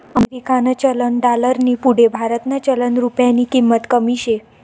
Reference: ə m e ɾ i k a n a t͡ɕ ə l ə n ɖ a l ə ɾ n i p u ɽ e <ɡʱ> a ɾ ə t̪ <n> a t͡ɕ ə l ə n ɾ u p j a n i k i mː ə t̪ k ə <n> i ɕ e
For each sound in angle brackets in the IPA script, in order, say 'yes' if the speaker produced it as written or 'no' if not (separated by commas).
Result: no, yes, no